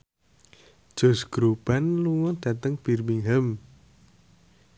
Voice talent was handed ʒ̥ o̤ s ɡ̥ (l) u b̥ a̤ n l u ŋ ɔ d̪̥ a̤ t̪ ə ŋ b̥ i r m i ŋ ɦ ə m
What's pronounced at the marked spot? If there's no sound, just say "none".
ɾ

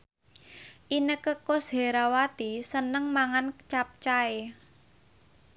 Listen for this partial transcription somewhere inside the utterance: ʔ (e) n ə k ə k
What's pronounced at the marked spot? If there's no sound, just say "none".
i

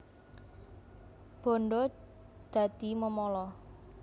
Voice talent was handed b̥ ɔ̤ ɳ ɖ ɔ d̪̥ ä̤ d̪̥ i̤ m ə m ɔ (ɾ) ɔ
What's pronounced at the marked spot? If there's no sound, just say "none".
l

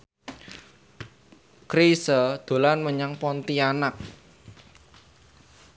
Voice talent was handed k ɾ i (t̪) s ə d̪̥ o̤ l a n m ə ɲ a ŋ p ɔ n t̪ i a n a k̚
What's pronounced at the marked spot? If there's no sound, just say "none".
none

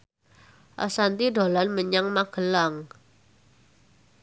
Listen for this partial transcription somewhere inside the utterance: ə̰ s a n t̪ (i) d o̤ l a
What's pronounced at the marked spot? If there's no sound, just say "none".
i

